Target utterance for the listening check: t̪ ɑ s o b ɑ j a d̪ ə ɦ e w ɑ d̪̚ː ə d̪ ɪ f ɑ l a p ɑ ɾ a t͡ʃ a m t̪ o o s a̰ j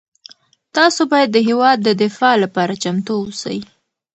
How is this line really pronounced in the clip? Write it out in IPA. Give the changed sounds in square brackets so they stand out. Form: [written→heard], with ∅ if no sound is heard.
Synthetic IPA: t̪ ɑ s o b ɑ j a [d̪→d̪ː] ə ɦ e w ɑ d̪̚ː ə d̪ ɪ f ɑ l a p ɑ ɾ a t͡ʃ a m t̪ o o s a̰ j